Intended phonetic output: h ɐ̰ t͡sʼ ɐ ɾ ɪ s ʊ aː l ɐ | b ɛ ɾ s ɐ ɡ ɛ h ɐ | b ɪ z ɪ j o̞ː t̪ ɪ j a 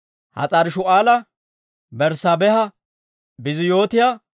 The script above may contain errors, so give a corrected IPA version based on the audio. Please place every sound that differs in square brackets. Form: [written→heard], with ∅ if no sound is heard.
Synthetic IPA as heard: h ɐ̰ t͡sʼ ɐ ɾ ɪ [s→ʃ] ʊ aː l ɐ | b ɛ ɾ s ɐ [ɡ→b] ɛ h ɐ | b ɪ z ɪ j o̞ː t̪ ɪ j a